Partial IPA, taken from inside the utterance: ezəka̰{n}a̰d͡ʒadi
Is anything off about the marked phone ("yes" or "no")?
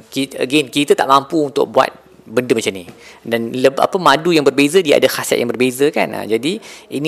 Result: no